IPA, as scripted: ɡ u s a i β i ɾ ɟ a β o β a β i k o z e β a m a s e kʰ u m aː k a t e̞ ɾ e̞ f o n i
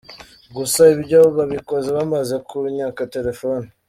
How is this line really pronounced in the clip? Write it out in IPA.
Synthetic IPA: ɡ u s a i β i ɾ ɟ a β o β a β i k o z e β a m a z e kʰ u ɲ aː k a t e̞ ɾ e̞ f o n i